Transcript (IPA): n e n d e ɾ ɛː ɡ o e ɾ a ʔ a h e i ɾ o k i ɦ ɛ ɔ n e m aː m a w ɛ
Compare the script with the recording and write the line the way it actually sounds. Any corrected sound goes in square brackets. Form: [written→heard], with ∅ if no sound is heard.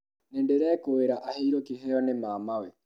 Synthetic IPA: n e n d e ɾ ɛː [ɡ→k] o e ɾ a ʔ a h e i ɾ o k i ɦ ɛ ɔ n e m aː m a w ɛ